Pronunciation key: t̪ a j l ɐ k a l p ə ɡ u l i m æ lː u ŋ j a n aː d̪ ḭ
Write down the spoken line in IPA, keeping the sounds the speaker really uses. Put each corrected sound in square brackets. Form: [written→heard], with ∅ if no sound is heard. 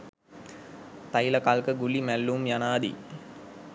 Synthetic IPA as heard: t̪ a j l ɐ k a l [p→k] ə ɡ u l i m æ lː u [ŋ→m] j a n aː d̪ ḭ